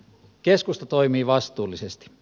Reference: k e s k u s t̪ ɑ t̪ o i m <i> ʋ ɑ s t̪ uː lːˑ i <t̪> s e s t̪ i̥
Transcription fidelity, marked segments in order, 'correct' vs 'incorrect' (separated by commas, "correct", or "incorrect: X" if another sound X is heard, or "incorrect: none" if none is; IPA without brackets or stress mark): incorrect: iː, incorrect: none